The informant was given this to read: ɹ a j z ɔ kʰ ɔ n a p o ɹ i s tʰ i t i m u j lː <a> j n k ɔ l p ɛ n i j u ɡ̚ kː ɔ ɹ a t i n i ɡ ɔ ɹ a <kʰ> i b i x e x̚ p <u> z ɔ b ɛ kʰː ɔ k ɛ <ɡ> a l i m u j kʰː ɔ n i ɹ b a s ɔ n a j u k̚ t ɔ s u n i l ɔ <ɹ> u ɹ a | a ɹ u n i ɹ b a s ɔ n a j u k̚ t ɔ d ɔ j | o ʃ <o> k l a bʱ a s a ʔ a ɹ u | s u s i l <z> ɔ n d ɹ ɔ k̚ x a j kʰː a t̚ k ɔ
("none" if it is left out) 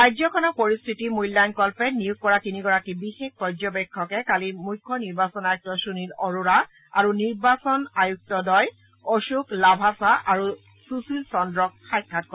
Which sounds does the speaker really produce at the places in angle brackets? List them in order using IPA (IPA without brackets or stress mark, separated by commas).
a, k, ɔ, k, ɹ, u, s